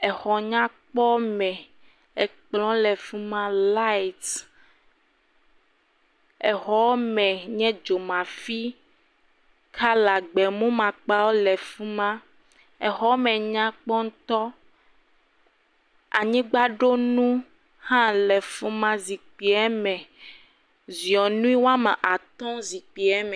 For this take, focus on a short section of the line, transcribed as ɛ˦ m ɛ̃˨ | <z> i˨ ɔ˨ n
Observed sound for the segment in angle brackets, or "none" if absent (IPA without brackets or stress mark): z